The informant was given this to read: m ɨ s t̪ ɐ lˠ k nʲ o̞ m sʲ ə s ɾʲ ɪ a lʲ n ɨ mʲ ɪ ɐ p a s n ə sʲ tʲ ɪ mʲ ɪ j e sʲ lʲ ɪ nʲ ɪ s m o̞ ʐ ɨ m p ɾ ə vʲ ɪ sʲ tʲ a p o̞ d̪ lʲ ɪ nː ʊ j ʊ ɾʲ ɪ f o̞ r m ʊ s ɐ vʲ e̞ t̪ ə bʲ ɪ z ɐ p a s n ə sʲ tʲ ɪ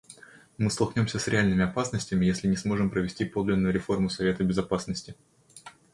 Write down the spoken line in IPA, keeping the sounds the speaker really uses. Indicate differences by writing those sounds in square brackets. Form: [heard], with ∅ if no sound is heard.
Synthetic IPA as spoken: m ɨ s t̪ ɐ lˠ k nʲ o̞ m sʲ ə s ɾʲ ɪ a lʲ n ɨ mʲ ɪ ɐ p a s n ə sʲ tʲ ɪ mʲ ɪ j e sʲ lʲ ɪ nʲ ɪ s m o̞ ʐ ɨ m p ɾ ə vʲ ɪ sʲ tʲ [i] p o̞ d̪ lʲ ɪ nː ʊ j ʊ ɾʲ ɪ f o̞ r m ʊ s ɐ vʲ e̞ t̪ ə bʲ ɪ z ɐ p a s n ə sʲ tʲ ɪ